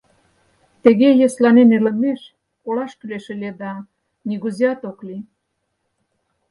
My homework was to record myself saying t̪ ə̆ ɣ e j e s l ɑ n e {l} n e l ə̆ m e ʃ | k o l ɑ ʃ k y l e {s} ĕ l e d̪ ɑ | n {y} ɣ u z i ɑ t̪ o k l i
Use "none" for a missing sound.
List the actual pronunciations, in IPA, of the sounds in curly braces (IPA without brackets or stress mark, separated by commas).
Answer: none, ʃ, i